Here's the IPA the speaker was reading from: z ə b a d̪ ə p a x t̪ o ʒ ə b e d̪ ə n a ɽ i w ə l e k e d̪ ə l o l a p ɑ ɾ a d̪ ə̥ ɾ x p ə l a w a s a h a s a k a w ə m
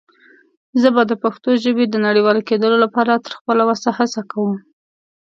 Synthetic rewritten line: z ə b a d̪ ə p a x t̪ o ʒ ə b e d̪ ə n a ɽ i w ɑ l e k e d̪ ə l o l a p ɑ ɾ a t̪ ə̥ ɾ x p ə l a w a s a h a s a k a w ə m